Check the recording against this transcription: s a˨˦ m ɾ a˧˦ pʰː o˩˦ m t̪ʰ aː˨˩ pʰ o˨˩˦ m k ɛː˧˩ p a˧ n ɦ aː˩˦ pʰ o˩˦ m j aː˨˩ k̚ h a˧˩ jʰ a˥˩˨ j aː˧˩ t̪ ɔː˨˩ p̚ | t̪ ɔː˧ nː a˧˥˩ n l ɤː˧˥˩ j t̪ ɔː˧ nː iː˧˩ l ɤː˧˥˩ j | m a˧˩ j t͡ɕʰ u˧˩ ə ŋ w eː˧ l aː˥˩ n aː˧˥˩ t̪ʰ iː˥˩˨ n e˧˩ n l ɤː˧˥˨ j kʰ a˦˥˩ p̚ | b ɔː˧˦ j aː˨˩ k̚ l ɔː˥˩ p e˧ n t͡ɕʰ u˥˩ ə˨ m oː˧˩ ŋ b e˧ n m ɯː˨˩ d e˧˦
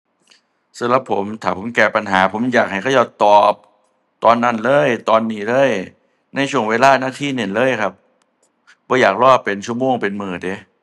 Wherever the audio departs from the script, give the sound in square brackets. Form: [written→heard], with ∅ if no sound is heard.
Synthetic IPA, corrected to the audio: s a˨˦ m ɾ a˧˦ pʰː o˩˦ m t̪ʰ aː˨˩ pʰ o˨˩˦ m k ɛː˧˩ p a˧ n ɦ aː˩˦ pʰ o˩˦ m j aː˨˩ k̚ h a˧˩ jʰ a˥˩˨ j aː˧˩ t̪ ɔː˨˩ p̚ | t̪ ɔː˧ nː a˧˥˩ n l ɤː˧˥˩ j t̪ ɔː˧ nː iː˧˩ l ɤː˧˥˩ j | [m→n] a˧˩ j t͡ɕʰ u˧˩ ə ŋ w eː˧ l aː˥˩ n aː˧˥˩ t̪ʰ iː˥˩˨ n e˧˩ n l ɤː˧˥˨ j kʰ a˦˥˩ p̚ | b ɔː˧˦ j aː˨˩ k̚ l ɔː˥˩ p e˧ n t͡ɕʰ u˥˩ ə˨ m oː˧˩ ŋ [b→p] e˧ n m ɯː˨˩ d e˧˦

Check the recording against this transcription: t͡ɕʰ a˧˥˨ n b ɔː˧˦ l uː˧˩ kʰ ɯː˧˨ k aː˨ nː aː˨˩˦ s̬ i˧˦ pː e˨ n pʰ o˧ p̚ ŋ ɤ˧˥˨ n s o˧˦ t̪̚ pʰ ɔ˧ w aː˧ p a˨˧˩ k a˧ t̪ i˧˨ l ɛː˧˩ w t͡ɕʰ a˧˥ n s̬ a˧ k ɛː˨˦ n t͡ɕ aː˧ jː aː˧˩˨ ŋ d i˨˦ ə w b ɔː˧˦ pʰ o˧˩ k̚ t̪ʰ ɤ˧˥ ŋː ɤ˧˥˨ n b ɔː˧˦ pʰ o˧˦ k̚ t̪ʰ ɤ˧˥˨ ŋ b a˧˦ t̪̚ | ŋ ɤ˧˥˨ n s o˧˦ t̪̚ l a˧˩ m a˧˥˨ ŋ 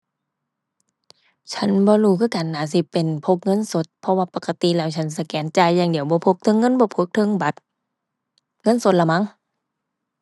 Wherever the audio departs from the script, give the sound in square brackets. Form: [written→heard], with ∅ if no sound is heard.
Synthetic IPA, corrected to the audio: t͡ɕʰ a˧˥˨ n b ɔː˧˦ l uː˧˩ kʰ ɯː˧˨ k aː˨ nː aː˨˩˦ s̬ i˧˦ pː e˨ n pʰ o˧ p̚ ŋ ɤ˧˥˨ n s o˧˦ t̪̚ pʰ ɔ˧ w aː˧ p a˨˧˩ k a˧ t̪ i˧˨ l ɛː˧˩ w t͡ɕʰ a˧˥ n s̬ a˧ k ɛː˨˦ n t͡ɕ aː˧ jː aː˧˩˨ ŋ d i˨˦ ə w b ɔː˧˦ pʰ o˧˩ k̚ t̪ʰ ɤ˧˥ ŋː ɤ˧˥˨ n b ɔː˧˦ pʰ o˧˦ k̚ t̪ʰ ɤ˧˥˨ ŋ b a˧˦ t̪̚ | ŋ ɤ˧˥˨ n s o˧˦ t̪̚ l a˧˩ m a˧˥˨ ŋ

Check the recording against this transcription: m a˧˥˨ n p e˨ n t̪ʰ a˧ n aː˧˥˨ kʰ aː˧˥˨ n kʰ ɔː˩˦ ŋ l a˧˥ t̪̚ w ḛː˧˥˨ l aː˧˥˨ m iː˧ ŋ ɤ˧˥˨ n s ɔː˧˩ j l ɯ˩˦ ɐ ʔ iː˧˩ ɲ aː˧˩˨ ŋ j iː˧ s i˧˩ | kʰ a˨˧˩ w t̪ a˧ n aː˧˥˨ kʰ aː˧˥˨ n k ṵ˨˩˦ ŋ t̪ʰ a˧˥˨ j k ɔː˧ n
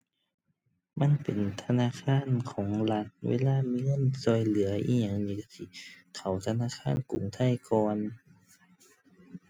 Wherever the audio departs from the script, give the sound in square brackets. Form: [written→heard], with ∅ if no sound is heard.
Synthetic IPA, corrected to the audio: m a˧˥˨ n p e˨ n t̪ʰ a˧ n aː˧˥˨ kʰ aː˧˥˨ n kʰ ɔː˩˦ ŋ l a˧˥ t̪̚ w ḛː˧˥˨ l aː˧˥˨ m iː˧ ŋ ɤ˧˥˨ n s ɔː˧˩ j l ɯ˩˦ ɐ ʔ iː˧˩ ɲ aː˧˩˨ ŋ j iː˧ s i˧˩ | kʰ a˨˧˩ w [t̪→t̪ʰ] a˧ n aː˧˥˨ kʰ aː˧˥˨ n k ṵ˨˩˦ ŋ t̪ʰ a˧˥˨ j k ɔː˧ n

